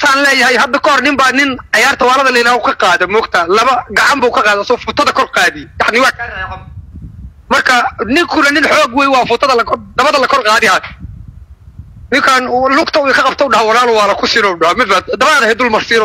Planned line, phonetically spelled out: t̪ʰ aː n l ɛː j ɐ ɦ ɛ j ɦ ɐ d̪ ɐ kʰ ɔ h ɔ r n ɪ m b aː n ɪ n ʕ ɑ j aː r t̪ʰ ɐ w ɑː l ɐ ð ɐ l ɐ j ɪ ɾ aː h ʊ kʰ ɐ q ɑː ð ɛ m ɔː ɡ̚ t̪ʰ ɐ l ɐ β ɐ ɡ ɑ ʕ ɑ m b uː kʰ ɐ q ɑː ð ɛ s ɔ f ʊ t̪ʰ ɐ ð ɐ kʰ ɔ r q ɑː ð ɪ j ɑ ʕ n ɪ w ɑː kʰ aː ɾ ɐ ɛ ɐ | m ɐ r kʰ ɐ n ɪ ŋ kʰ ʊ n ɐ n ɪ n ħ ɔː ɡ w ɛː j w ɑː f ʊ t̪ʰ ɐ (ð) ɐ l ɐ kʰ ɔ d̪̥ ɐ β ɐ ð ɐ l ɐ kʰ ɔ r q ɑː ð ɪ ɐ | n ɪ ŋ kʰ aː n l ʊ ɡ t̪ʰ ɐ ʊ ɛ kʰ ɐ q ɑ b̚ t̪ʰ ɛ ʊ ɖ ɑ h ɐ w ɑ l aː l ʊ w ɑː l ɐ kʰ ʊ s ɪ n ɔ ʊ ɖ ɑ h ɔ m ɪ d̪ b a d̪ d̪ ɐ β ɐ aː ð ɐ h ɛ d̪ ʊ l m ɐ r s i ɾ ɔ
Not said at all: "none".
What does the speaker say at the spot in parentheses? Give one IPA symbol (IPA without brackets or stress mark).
ð